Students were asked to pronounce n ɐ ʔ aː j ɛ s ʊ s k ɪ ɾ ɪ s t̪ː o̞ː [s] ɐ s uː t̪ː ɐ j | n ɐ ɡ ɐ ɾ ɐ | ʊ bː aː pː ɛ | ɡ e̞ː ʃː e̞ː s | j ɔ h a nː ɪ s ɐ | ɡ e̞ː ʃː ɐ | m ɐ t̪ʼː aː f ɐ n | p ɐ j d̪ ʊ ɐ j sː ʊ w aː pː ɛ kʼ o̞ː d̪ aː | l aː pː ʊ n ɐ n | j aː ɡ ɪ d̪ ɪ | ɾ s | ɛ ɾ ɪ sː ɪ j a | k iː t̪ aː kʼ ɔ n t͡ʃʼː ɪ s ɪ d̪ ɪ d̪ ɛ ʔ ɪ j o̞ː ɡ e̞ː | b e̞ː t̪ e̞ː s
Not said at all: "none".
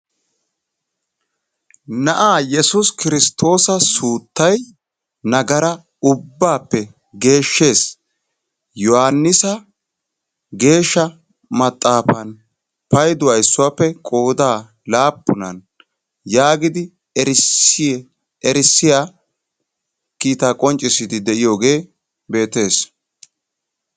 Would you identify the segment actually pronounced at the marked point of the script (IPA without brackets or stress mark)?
s